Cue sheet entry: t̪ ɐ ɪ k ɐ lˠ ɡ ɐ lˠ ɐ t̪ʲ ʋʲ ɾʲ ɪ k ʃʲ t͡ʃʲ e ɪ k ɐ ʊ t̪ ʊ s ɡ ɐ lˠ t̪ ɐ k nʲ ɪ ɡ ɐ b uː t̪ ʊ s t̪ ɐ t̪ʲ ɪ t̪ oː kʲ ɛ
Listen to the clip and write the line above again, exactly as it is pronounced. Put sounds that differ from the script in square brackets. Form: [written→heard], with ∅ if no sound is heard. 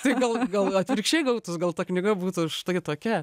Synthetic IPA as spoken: t̪ ɐ ɪ [k→ɡ] ɐ lˠ ɡ ɐ lˠ ɐ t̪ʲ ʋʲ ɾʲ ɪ k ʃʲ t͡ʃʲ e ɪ [k→ɡ] ɐ ʊ t̪ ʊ s ɡ ɐ lˠ t̪ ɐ k nʲ ɪ ɡ ɐ b uː t̪ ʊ [s→ʃ] t̪ ɐ [t̪ʲ→∅] ɪ t̪ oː kʲ ɛ